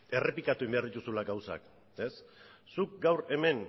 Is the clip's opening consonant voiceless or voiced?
voiced